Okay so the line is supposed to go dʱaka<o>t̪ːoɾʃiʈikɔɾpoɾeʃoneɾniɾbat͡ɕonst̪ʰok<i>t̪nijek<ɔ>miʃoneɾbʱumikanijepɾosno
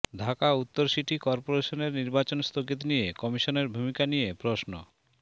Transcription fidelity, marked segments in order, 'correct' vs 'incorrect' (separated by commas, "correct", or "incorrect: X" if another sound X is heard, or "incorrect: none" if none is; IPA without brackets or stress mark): incorrect: u, correct, correct